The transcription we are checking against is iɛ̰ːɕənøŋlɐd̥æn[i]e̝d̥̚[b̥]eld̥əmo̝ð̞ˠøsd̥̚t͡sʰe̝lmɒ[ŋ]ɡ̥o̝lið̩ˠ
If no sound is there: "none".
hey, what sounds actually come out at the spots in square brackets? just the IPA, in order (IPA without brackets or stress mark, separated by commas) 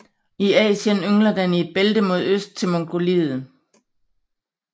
i, b̥, ŋ